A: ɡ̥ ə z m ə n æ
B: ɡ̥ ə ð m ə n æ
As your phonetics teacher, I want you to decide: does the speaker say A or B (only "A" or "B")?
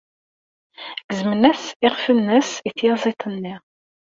A